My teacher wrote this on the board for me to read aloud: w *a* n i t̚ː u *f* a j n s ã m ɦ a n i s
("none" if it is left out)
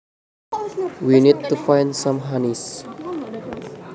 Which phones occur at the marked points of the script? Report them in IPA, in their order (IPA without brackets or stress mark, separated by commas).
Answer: i, f